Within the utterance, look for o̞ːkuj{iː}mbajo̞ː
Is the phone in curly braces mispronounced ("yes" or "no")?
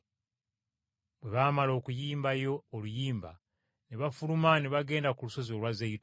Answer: no